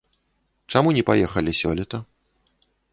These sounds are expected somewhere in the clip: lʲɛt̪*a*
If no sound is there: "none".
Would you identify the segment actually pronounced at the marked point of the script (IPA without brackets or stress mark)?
ɐ